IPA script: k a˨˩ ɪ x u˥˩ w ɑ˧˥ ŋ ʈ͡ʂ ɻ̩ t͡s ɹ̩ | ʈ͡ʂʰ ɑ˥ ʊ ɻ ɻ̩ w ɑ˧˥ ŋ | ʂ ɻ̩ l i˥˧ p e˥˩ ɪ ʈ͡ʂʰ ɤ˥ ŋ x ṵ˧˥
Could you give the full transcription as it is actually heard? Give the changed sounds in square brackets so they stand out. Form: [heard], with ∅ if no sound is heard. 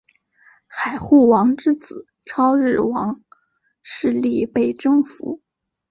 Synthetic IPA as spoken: [x] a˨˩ ɪ x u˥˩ w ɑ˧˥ ŋ ʈ͡ʂ ɻ̩ t͡s ɹ̩ | ʈ͡ʂʰ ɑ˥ ʊ ɻ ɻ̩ w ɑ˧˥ ŋ | ʂ ɻ̩ l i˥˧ p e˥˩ ɪ [ʈ͡ʂ] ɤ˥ ŋ [f] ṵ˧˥